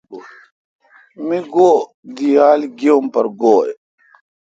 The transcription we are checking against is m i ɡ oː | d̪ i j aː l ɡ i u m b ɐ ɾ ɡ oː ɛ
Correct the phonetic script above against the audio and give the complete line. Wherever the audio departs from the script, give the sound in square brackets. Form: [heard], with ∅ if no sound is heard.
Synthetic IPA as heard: m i ɡ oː | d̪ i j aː l ɡ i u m [p] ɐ ɾ ɡ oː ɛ